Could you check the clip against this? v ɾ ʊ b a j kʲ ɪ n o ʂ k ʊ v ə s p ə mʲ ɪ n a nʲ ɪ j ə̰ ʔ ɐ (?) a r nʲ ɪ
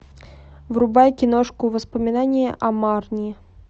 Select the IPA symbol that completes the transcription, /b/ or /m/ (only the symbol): m